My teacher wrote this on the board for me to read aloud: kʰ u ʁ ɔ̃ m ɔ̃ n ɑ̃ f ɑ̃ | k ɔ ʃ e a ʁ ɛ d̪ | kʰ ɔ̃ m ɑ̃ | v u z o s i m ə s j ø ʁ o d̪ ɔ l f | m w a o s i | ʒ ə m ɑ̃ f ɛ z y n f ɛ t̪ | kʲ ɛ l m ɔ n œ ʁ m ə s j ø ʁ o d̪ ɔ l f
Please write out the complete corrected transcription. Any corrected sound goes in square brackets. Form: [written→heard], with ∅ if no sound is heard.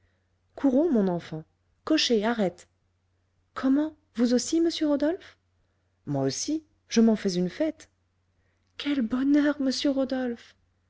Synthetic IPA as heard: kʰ u ʁ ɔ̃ m ɔ̃ n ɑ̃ f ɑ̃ | k ɔ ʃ e a ʁ ɛ [d̪→t̪] | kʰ [ɔ̃→ɔ] m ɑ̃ | v u z o s i m ə s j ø ʁ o d̪ ɔ l f | m w a o s i | ʒ ə m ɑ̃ f ɛ z y n f ɛ t̪ | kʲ ɛ l [m→b] ɔ n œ ʁ m ə s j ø ʁ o d̪ ɔ l f